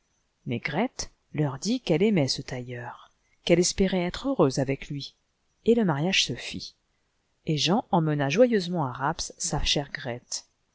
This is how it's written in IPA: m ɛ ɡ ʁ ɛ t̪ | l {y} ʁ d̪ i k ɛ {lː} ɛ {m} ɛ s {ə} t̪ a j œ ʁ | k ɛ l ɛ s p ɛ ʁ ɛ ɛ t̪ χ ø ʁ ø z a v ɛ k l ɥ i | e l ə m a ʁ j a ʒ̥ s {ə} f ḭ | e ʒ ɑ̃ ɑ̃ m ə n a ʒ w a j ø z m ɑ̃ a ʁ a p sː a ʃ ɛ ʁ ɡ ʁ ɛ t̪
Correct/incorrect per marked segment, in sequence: incorrect: œ, incorrect: l, correct, correct, correct

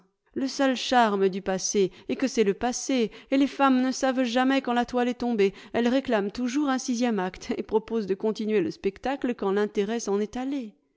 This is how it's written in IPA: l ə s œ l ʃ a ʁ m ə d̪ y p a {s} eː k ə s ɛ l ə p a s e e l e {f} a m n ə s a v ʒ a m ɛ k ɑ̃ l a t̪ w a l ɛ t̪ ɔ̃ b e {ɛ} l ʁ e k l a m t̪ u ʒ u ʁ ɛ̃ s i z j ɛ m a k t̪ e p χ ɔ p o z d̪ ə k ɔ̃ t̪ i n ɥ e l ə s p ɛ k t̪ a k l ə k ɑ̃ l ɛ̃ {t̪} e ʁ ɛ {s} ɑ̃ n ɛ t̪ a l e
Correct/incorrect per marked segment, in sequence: correct, correct, correct, correct, correct

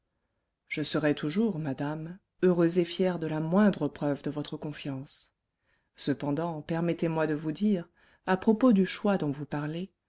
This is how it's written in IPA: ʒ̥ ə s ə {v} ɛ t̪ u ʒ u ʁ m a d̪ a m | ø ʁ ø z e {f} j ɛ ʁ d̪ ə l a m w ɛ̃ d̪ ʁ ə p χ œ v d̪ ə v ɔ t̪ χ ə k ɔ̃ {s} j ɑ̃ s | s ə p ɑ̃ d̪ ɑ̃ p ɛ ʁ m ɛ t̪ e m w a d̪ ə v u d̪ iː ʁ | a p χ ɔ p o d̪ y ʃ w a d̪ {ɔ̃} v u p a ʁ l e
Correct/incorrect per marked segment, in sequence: incorrect: ʁ, correct, incorrect: f, correct

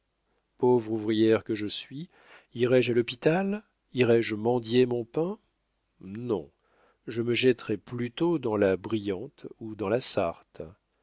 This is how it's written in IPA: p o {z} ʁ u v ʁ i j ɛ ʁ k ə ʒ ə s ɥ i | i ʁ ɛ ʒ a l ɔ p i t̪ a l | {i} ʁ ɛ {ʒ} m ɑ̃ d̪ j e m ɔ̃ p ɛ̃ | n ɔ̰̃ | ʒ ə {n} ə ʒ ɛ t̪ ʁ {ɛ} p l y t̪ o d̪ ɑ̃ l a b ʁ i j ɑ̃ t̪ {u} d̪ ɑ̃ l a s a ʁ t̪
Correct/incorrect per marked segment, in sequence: incorrect: v, correct, correct, incorrect: m, correct, correct

